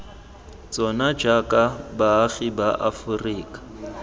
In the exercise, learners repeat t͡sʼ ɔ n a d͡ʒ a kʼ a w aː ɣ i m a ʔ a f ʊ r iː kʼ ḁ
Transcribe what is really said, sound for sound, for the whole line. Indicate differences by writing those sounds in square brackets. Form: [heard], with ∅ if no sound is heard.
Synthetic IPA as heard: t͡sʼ ɔ n a d͡ʒ a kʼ a [b] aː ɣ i [b] a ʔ a f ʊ r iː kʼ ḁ